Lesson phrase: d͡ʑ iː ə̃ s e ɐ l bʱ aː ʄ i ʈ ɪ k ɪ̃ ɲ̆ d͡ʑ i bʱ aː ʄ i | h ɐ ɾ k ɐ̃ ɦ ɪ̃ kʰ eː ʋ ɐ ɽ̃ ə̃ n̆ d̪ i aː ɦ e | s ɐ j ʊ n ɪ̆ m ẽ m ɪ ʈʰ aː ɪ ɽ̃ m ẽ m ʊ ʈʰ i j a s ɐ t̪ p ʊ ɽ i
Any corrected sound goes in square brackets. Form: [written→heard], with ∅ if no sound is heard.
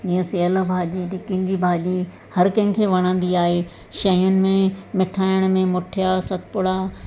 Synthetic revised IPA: d͡ʑ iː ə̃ s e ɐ l bʱ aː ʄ i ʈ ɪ k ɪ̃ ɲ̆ d͡ʑ i bʱ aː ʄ i | h ɐ ɾ k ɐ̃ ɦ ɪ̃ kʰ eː ʋ ɐ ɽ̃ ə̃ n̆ d̪ i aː ɦ e | [s→ʃ] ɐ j ʊ n ɪ̆ m ẽ m ɪ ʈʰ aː ɪ ɽ̃ m ẽ m ʊ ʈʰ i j a s ɐ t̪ p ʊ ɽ [i→a]